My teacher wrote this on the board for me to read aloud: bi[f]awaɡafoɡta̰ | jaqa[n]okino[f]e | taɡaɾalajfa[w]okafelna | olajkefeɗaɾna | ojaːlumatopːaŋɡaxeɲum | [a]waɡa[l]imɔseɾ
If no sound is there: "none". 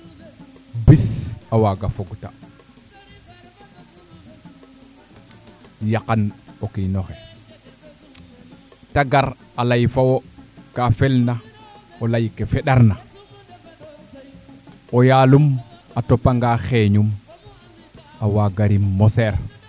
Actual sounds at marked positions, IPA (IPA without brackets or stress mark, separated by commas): s, n, x, w, a, ɾ